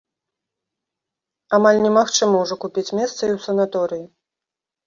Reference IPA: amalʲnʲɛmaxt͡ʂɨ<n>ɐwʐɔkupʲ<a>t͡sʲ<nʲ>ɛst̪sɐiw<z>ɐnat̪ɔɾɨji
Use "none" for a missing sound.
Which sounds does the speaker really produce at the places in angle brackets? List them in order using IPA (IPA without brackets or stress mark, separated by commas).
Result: m, i, mʲ, s